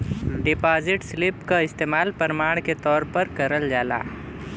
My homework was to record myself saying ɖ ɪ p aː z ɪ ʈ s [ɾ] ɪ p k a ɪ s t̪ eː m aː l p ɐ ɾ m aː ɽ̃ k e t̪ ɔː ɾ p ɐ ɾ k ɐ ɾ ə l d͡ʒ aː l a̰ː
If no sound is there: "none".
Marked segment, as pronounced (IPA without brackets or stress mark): l